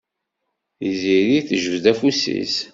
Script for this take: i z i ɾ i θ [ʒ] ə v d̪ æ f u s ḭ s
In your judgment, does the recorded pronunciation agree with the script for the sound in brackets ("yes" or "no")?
yes